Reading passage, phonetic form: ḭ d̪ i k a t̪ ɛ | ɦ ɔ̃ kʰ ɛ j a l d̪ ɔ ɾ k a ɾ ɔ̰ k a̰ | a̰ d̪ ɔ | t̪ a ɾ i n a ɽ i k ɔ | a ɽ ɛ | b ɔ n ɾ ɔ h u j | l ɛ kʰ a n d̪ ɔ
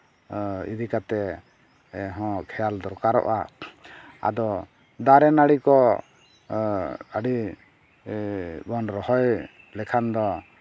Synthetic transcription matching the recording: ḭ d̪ i k a t̪ ɛ | ɦ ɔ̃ kʰ ɛ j a l d̪ ɔ ɾ k a ɾ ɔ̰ ʔ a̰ | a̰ d̪ ɔ | d̪ a ɾ ɛ n a ɽ i k ɔ | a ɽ i | b ɔ n ɾ ɔ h ɔ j | l ɛ kʰ a n d̪ ɔ